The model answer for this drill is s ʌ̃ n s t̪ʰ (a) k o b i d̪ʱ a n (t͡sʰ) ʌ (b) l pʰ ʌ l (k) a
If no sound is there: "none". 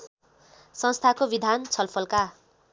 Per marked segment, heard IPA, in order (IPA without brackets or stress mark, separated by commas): a, t͡sʰ, none, k